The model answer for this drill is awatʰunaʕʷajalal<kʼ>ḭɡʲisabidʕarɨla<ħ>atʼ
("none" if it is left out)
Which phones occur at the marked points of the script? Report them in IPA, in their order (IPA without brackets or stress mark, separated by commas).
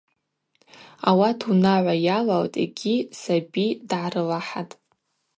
tʼ, ħ